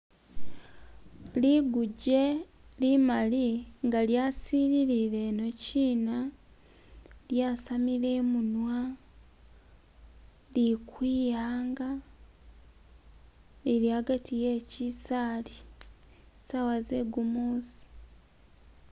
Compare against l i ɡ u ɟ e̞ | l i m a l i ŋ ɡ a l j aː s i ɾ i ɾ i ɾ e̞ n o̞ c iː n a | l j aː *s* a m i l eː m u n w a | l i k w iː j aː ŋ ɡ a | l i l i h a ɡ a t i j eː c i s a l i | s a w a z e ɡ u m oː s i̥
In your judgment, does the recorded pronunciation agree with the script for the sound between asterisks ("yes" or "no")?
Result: yes